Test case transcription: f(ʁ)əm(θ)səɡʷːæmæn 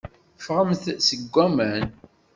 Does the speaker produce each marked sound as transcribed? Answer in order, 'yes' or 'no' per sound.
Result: yes, yes

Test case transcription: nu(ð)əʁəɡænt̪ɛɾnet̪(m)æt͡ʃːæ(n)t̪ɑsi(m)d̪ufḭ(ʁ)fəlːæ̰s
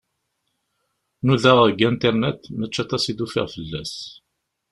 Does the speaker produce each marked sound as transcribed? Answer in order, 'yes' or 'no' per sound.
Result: yes, yes, no, no, yes

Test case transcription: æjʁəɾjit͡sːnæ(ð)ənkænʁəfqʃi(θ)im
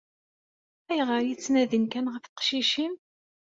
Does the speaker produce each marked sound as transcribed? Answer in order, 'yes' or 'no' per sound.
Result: yes, no

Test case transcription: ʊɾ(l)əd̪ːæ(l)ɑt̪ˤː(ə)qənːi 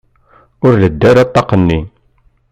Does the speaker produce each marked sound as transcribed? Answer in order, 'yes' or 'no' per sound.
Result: yes, no, no

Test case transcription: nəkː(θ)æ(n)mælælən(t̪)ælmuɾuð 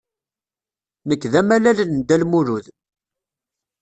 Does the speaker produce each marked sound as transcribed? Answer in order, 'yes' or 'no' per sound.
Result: no, no, no

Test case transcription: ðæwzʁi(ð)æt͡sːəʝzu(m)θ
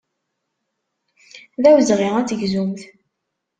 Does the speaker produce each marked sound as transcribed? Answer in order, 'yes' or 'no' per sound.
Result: no, yes

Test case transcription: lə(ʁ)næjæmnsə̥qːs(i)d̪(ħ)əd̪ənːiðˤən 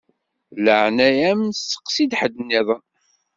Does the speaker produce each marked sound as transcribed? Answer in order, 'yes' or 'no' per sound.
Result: no, yes, yes

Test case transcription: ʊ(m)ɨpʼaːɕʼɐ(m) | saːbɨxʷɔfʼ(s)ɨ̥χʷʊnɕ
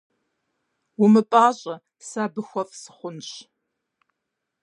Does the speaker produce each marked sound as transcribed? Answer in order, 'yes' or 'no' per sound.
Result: yes, no, yes

